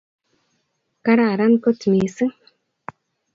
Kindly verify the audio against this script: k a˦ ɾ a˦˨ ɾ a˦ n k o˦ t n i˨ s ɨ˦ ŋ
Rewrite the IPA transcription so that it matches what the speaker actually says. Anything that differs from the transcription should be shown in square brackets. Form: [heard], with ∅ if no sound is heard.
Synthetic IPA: k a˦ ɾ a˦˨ ɾ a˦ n k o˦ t [m] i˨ s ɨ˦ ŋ